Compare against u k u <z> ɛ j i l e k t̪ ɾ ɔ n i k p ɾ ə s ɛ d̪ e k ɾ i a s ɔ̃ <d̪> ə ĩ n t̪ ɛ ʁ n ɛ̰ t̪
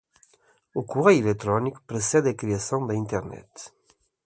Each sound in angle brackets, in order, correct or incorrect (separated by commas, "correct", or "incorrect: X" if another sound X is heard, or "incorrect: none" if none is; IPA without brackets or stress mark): incorrect: ʁ, correct